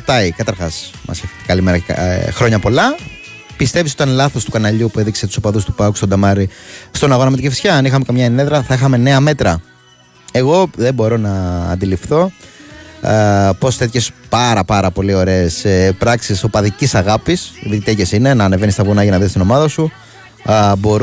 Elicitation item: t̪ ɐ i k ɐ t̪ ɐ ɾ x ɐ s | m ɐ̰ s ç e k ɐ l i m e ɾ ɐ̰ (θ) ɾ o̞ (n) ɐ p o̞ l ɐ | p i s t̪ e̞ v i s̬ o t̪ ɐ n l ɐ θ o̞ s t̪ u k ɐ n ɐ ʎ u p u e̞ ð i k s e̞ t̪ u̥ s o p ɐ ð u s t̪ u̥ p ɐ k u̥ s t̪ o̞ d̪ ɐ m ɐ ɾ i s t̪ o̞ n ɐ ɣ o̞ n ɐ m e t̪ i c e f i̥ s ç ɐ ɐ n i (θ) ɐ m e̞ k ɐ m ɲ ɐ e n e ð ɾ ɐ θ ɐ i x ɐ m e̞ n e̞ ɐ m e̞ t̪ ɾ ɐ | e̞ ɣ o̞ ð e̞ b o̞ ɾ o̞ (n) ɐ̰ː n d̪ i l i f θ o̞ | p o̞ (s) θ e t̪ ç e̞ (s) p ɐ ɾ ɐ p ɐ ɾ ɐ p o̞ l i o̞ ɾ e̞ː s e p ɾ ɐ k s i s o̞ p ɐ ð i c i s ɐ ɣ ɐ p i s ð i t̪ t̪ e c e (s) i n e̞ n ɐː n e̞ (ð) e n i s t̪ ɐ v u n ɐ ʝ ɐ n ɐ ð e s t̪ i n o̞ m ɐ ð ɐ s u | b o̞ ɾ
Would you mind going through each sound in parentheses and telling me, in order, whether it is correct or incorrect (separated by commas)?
incorrect, incorrect, incorrect, correct, correct, correct, correct, incorrect